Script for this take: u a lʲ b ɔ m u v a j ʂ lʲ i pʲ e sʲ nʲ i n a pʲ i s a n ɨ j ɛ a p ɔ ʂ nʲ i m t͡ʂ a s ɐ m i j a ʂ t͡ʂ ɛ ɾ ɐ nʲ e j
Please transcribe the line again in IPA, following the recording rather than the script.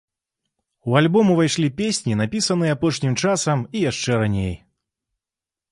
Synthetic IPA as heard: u a lʲ b ɔ m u v a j ʂ lʲ i pʲ e sʲ nʲ i n a pʲ i s ɐ n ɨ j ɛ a p ɔ ʂ nʲ i m t͡ʂ a s ɐ m i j a ʂ t͡ʂ ɛ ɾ a nʲ e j